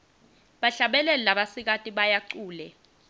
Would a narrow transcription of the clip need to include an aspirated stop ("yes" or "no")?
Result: no